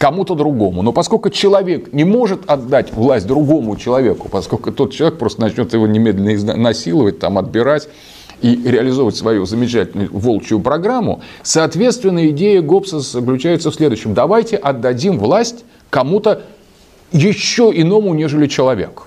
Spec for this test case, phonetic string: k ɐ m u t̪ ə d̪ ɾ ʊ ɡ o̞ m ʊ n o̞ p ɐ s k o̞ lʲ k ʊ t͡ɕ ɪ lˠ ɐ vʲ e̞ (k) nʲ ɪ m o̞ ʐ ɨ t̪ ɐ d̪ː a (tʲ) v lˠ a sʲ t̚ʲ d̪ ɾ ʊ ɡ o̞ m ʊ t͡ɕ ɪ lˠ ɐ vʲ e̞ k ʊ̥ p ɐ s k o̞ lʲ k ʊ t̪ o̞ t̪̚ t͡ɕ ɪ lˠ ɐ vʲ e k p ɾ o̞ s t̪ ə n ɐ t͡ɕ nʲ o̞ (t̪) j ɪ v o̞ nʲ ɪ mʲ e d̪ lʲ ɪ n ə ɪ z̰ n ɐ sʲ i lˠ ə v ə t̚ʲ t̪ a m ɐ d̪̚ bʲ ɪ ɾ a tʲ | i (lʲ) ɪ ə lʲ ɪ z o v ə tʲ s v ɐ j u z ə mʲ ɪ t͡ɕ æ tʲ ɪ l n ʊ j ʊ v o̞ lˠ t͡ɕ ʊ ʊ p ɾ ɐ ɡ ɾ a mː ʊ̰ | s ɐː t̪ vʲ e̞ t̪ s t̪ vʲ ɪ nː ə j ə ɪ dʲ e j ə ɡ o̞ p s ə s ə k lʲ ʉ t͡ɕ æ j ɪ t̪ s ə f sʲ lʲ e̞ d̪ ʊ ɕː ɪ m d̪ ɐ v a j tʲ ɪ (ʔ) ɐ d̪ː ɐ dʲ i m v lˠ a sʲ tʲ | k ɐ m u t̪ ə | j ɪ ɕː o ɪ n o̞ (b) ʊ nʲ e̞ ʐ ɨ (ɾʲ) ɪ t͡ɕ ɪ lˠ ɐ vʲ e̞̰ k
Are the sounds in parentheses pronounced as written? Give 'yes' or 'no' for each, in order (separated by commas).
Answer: yes, yes, yes, no, yes, no, no